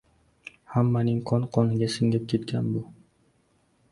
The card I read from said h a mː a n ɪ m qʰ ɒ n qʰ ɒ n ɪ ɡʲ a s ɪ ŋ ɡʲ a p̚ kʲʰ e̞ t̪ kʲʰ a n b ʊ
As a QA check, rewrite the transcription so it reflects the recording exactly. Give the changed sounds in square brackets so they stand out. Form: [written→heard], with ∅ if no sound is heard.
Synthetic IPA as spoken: h a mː a n ɪ [m→ŋ] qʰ ɒ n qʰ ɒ n ɪ ɡʲ a s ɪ ŋ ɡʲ a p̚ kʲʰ e̞ t̪ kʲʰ a n b ʊ